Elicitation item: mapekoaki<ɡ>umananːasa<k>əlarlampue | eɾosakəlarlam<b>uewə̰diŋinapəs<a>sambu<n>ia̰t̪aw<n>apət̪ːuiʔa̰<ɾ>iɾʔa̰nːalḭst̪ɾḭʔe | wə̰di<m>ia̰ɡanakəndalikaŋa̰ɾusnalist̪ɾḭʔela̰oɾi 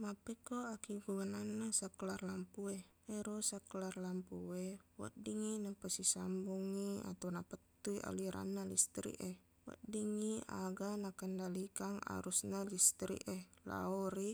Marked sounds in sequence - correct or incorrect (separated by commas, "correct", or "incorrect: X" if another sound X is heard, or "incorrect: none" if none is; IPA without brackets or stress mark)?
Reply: correct, correct, incorrect: p, incorrect: i, incorrect: ŋ, correct, incorrect: l, incorrect: ŋ